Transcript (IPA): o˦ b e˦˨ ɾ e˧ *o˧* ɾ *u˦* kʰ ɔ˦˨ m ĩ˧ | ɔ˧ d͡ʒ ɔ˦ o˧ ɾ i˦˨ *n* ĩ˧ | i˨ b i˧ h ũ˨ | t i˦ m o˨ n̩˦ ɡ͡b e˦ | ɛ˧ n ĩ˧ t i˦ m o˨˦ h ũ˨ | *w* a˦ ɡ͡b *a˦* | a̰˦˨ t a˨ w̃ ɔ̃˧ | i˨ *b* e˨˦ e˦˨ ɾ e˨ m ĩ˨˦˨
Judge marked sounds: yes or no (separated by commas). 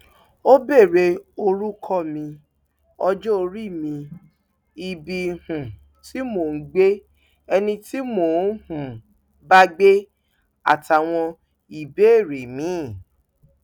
yes, yes, no, no, no, yes